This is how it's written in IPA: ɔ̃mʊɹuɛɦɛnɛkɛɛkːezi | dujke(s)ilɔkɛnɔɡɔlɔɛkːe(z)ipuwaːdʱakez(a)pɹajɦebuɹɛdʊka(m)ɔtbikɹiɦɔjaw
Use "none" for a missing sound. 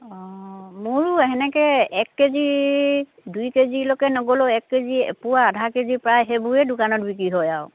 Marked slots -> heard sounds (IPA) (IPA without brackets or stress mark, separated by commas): z, z, i, n